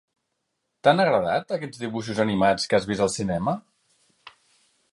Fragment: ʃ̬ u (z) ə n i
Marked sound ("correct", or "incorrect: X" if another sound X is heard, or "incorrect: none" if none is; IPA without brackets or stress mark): correct